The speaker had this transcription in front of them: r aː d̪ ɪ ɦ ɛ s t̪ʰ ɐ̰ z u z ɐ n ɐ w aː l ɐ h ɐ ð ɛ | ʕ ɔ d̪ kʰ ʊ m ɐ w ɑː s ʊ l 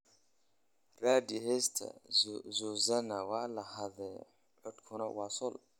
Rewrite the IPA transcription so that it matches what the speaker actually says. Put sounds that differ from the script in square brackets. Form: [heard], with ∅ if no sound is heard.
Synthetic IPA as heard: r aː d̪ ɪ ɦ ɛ s t̪ʰ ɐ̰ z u z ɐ n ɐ w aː l ɐ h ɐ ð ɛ | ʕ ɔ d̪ kʰ ʊ [n] ɐ w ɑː s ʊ l